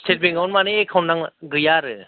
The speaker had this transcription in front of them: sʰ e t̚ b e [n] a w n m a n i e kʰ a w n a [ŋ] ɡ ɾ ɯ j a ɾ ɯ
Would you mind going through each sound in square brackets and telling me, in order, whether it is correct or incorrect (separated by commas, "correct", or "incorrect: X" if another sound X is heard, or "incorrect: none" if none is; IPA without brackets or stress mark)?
incorrect: ŋ, correct